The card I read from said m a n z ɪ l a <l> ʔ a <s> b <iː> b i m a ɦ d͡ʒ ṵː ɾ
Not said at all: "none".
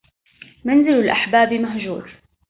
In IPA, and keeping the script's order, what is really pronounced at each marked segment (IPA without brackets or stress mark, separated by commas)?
l, ħ, aː